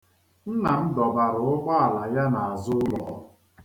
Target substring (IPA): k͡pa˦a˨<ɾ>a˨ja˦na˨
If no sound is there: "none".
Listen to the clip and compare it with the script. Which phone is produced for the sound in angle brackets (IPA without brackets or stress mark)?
l